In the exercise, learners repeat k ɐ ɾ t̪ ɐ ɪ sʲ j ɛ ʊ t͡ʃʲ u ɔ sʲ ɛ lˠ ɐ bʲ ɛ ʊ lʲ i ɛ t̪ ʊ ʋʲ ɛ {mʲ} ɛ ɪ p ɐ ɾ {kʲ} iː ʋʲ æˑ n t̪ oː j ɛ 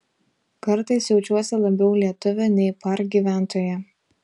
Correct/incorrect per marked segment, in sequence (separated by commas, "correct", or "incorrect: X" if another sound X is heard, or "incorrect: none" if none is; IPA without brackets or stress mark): incorrect: nʲ, incorrect: ɡʲ